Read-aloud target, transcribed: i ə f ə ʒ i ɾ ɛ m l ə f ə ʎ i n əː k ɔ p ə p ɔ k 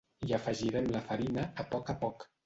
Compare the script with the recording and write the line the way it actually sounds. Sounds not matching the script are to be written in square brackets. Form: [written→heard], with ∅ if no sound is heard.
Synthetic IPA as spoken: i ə f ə ʒ i ɾ ɛ m l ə f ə [ʎ→ɾ] i n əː [k→p] ɔ [p→k] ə p ɔ k